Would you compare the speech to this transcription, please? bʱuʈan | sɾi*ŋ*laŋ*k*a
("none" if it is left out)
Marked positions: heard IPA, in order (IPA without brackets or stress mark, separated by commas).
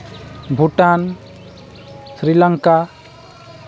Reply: none, k